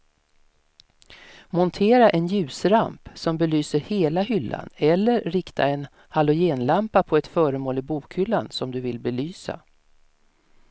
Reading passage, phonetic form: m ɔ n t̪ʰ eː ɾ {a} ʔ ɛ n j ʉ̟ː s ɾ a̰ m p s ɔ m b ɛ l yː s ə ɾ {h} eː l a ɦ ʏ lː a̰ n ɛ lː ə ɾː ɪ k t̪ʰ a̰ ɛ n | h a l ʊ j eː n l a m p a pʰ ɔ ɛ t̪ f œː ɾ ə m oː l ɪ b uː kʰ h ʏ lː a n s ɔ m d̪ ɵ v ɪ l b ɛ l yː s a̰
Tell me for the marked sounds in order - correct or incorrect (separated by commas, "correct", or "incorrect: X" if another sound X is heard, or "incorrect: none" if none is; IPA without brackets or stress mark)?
correct, correct